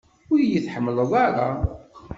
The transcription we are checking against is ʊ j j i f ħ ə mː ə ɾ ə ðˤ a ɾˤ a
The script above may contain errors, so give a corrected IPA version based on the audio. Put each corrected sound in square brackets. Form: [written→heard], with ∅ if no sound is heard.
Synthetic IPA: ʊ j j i [f→θ] ħ ə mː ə [ɾ→l] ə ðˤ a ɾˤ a